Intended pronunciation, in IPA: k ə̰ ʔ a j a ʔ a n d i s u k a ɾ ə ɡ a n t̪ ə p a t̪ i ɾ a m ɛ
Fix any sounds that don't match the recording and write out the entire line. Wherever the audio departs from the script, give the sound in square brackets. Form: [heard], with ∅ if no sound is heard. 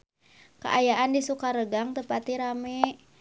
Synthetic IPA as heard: k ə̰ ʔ a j a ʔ a n d i s u k a ɾ ə ɡ a [ŋ] t̪ ə p a t̪ i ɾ a m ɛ